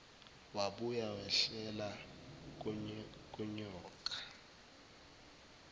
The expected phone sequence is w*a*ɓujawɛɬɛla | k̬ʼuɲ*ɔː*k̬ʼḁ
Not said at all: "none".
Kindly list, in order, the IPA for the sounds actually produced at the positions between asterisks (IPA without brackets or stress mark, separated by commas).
a, ɔː